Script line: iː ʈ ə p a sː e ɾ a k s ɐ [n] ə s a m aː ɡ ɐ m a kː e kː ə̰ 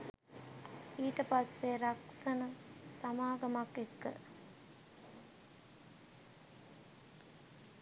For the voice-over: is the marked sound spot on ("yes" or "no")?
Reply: yes